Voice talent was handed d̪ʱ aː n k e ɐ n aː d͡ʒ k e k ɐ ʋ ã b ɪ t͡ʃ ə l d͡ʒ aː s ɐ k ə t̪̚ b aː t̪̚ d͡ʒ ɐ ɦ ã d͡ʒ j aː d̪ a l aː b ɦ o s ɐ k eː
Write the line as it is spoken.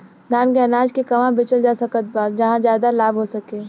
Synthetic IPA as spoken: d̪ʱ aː n k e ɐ n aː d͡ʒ k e k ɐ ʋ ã b ɪ t͡ʃ ə l d͡ʒ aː s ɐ k ə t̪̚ b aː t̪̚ d͡ʒ ɐ ɦ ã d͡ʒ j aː d̪ a l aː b ɦ o s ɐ k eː